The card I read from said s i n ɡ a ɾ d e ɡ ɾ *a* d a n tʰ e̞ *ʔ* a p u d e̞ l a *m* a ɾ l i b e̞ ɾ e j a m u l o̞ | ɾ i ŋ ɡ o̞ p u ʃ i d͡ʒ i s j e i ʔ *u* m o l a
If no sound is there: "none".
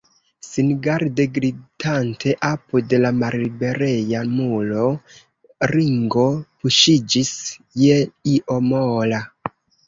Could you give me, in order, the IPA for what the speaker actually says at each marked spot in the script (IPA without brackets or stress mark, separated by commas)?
i, ʔ, m, o